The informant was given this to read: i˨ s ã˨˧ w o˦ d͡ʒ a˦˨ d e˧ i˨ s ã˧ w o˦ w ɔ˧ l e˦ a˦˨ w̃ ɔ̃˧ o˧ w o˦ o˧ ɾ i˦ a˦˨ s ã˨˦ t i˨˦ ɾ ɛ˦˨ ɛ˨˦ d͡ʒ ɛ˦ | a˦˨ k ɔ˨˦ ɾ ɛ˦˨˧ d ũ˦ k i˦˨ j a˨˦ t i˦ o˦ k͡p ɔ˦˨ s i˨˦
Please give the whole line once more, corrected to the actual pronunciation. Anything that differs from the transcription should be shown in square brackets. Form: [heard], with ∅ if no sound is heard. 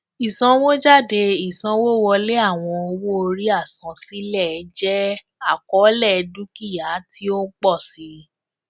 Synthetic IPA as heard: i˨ s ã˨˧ w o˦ d͡ʒ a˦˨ d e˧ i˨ s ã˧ w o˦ w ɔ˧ l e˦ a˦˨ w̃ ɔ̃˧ o˧ w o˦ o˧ ɾ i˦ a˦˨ s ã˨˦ [s] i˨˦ [l] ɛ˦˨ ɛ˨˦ d͡ʒ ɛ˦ | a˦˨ k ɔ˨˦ [l] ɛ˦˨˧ d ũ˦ k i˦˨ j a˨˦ t i˦ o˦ k͡p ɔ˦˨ s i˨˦